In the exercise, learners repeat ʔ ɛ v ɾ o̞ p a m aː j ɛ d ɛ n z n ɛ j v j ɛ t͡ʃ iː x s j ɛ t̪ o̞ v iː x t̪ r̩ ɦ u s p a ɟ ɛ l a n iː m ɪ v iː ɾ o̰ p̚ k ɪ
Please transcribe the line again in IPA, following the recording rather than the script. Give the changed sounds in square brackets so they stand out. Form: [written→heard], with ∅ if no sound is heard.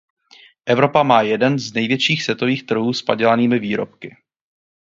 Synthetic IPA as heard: ʔ ɛ v ɾ o̞ p a m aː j ɛ d ɛ n z n ɛ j v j ɛ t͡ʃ iː x s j ɛ t̪ o̞ v iː x t̪ r̩ ɦ [u→uː] s p a ɟ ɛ l a n iː m ɪ v iː ɾ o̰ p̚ k ɪ